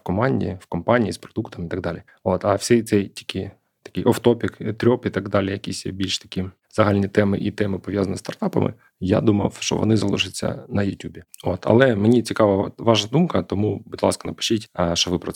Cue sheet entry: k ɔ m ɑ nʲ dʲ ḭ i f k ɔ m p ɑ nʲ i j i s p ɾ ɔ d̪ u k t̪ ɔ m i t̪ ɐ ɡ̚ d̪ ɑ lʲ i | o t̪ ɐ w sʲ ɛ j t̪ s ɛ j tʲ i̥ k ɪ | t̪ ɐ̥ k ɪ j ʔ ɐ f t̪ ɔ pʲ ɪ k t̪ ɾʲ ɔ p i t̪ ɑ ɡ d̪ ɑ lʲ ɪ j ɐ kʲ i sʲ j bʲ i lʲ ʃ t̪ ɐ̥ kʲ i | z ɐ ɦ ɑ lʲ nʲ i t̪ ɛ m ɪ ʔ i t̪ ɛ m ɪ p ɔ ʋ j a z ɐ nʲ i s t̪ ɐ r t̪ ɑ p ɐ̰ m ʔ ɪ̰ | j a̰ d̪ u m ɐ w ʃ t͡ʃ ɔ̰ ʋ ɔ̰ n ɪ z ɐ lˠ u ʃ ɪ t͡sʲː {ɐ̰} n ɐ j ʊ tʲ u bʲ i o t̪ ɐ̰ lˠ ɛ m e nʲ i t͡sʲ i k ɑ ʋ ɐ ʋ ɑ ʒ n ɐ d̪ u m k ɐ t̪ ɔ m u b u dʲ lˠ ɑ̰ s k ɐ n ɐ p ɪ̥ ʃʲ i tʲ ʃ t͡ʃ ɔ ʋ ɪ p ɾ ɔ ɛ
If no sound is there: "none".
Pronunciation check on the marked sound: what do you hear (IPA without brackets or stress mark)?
ɐ̰